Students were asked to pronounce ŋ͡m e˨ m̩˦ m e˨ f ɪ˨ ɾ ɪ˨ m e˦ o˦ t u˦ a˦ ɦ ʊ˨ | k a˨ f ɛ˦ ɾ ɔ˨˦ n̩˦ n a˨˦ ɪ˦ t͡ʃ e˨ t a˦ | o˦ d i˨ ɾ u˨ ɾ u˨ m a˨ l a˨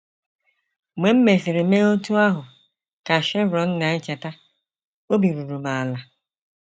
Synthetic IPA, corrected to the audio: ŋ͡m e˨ m̩˦ m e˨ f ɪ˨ ɾ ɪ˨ m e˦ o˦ t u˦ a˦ ɦ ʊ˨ | k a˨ ʃ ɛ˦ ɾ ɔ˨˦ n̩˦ n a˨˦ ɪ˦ t͡ʃ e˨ t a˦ | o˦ b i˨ ɾ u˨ ɾ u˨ m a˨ l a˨